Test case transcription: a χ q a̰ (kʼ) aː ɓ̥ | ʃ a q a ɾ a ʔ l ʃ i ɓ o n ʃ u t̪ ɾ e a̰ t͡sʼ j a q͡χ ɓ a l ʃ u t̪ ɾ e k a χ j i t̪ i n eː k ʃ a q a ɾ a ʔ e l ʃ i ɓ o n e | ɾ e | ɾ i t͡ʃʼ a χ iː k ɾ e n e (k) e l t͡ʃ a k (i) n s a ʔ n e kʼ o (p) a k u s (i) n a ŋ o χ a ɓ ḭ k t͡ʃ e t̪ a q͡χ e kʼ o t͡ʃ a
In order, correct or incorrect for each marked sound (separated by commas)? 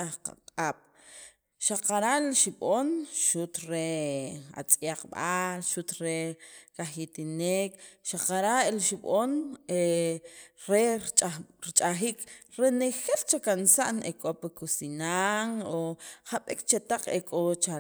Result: incorrect, incorrect, incorrect, correct, correct